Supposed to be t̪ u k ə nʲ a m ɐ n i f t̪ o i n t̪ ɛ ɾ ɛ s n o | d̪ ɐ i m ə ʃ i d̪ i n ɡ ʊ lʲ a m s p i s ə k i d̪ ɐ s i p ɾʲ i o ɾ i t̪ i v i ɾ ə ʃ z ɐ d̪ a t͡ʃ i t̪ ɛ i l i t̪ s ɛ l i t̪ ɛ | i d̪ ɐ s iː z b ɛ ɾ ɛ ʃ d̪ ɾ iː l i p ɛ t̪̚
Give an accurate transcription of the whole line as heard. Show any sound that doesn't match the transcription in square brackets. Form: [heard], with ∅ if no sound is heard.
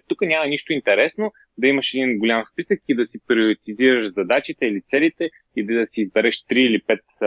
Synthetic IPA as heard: t̪ u k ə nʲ a m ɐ n i [ʃ] t̪ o i n t̪ ɛ ɾ ɛ s n o | d̪ ɐ i m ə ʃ [ɛ] d̪ i n ɡ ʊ lʲ a m s p i s ə k i d̪ ɐ s i p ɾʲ i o ɾ i t̪ i [z] i ɾ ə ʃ z ɐ d̪ a t͡ʃ i t̪ ɛ i l i t̪ s ɛ l i t̪ ɛ | i d̪ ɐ s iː z b ɛ ɾ ɛ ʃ [t̪] ɾ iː l i p ɛ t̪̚